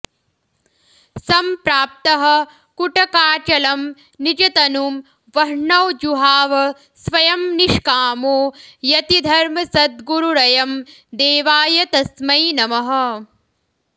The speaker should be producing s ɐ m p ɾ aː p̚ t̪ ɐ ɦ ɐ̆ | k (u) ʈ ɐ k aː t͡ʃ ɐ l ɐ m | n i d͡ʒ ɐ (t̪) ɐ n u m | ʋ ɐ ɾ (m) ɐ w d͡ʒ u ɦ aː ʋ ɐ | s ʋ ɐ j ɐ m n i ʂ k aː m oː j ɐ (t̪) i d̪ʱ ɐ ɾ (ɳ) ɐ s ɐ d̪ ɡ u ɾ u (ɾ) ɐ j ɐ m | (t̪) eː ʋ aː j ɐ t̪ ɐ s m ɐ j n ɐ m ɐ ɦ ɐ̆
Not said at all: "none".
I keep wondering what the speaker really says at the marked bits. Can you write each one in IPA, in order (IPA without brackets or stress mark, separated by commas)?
u, t̪, ɳ, t̪, m, ɾ, d̪